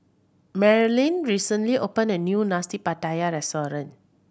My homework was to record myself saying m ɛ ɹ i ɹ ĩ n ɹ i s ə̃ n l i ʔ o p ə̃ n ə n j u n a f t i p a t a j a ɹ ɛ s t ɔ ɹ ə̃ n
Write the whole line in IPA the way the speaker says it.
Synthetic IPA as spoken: m ɛ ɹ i l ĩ n ɹ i s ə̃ n l i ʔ o p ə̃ n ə n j u n a s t i p a t a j a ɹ ɛ s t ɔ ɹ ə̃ n